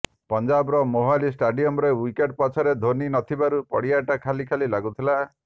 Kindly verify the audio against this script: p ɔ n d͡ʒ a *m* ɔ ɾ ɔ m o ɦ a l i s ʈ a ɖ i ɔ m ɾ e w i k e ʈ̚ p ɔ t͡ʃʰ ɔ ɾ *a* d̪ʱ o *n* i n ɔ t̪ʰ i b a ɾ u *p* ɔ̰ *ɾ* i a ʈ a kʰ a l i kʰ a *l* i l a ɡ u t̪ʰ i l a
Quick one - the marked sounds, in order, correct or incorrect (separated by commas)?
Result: incorrect, incorrect, correct, correct, incorrect, correct